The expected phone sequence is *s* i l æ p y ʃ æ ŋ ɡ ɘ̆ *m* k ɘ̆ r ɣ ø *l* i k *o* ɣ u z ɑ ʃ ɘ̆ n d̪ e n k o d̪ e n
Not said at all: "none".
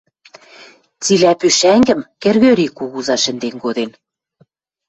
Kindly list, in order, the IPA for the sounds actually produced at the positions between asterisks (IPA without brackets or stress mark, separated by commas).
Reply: t͡s, m, ɾ, u